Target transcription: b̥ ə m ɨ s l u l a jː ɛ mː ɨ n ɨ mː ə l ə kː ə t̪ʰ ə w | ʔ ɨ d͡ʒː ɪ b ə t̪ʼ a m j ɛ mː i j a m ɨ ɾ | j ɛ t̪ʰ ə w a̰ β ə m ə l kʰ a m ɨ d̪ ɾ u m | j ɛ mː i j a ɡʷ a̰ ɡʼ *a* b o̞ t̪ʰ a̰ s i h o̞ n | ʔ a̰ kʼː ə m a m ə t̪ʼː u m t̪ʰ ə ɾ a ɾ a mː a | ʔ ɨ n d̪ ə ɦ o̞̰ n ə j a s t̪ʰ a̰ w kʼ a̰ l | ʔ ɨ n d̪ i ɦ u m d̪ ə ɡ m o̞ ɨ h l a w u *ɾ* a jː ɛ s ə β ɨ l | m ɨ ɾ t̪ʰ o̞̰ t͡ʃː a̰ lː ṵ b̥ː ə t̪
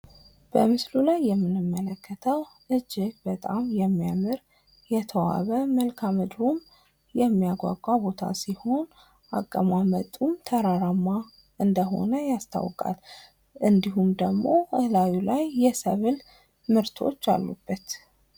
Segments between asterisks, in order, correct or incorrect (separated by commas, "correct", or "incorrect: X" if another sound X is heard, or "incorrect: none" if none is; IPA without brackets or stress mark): correct, incorrect: l